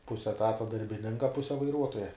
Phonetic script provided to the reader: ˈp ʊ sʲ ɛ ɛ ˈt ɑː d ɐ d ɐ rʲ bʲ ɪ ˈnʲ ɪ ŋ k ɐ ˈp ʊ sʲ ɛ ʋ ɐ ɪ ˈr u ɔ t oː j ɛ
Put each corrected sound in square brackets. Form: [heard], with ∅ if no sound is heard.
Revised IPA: ˈp ʊ sʲ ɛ ɛ ˈt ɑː [t] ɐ d ɐ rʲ bʲ ɪ ˈnʲ ɪ ŋ k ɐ ˈp ʊ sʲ ɛ ʋ ɐ ɪ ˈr u ɔ t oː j ɛ